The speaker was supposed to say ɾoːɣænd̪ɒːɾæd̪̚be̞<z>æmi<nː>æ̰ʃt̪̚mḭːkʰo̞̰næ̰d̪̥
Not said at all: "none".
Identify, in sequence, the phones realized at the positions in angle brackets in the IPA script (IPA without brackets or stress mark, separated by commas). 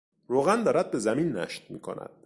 z, nː